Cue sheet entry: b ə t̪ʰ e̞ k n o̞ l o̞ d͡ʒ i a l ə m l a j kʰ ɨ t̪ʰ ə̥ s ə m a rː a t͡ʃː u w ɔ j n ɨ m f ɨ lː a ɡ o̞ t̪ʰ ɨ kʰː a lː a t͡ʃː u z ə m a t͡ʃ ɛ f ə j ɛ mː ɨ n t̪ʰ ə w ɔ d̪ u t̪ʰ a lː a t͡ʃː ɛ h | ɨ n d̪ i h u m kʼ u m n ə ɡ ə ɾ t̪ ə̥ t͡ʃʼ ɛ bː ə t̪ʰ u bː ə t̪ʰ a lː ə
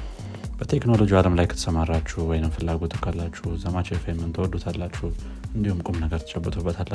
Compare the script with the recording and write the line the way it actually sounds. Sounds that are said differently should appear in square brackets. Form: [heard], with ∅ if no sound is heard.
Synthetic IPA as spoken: b ə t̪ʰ e̞ k n o̞ l o̞ d͡ʒ i a l ə m l a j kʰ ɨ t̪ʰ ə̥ s ə m a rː a t͡ʃː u w ɔ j n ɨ m f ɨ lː a ɡ o̞ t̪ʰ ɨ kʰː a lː a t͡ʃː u z ə m a t͡ʃ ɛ f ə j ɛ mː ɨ n t̪ʰ ə w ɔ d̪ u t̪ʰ a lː a t͡ʃː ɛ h | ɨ n d̪ i h u m kʼ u m n ə ɡ ə ɾ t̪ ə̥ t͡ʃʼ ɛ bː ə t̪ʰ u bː ə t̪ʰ a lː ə